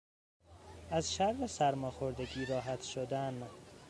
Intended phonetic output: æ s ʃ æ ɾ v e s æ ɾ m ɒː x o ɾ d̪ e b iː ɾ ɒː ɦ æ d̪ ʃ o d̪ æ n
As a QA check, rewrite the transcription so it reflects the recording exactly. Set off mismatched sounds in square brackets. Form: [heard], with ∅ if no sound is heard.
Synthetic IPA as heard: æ [z] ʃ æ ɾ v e s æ ɾ m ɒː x o ɾ d̪ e [ɡ] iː ɾ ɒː ɦ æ [t̪] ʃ o d̪ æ n